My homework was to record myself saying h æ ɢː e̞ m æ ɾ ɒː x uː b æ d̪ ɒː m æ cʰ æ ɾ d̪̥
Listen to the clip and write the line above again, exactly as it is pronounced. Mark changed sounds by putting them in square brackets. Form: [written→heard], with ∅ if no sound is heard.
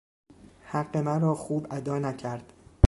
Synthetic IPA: h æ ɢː e̞ m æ ɾ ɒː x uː b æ d̪ ɒː [m→n] æ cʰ æ ɾ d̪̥